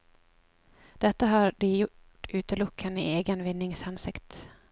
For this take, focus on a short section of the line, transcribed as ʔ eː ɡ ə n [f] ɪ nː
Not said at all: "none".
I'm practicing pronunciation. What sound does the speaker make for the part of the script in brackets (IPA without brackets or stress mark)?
v